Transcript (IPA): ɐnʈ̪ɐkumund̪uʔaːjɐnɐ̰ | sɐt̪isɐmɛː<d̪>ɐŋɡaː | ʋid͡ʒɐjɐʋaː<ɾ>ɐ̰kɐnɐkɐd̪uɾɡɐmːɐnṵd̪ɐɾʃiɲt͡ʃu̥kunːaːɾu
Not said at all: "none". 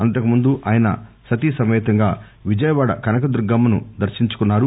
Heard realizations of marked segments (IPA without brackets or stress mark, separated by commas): t̪, ɽ